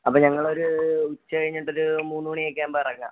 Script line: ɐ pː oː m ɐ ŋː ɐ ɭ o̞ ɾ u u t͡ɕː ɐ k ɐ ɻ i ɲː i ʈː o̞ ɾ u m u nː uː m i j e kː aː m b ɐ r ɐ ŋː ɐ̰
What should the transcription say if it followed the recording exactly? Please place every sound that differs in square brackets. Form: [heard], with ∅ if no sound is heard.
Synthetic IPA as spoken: ɐ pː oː [ɲ] ɐ ŋː ɐ ɭ o̞ ɾ u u t͡ɕː ɐ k ɐ ɻ i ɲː i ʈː o̞ ɾ u m [uː] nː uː [ɳ] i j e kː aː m b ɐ r ɐ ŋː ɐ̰